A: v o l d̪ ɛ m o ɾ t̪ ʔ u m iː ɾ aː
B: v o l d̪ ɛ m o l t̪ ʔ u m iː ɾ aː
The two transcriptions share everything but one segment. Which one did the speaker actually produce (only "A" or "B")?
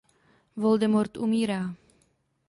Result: A